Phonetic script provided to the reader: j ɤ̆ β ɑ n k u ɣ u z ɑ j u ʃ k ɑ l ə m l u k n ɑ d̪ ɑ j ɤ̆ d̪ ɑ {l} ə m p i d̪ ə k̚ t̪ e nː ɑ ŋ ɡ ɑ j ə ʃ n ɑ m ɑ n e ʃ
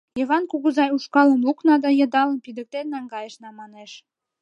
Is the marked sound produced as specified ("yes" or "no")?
yes